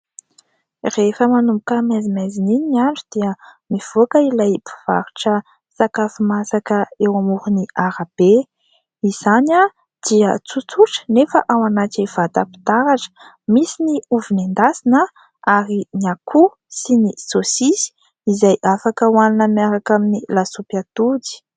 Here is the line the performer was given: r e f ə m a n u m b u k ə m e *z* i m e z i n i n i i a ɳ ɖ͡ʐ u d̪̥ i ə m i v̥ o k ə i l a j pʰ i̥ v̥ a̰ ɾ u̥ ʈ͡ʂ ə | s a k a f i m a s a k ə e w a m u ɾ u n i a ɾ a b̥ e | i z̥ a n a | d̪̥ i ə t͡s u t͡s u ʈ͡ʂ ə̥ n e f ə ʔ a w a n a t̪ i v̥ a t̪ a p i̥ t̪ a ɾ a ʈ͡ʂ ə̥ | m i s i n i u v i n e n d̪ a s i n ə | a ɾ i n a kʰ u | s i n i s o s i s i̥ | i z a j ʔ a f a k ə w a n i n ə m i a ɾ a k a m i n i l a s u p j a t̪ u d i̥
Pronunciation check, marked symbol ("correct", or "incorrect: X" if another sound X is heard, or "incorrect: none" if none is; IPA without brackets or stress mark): correct